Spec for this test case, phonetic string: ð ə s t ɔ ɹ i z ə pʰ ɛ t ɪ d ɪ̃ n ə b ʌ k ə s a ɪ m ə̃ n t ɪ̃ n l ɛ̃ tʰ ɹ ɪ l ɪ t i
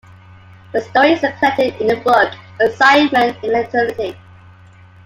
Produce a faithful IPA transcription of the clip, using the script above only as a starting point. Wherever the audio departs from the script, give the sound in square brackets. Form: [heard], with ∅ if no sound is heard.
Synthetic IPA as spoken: ð ə s t ɔ ɹ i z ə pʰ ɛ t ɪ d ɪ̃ n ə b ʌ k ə s a ɪ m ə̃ n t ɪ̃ n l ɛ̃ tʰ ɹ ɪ l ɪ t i